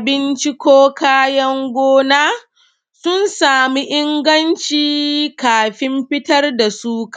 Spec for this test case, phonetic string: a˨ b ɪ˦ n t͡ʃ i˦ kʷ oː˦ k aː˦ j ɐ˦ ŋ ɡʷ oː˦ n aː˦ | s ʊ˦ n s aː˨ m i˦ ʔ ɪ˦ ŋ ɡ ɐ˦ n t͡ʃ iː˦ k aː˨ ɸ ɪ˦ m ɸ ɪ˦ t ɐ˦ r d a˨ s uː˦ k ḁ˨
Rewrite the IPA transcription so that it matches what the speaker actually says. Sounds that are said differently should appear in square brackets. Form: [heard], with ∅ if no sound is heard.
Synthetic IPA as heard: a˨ b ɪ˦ n t͡ʃ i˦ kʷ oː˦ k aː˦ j ɐ˦ ŋ ɡʷ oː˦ n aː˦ | s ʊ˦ n s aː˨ m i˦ ʔ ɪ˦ ŋ ɡ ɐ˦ n t͡ʃ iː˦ k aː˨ ɸ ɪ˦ m ɸ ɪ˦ t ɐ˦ r d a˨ s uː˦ k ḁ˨